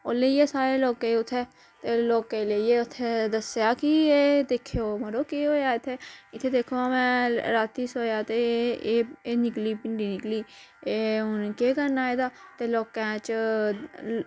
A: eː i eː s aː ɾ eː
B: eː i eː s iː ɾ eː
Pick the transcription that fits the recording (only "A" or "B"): A